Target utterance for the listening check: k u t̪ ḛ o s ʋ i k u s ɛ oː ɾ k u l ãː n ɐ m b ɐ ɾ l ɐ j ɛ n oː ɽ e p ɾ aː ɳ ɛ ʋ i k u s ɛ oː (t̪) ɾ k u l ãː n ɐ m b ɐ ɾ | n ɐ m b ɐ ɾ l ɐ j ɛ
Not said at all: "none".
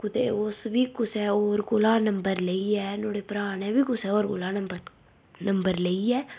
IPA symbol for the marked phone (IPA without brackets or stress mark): none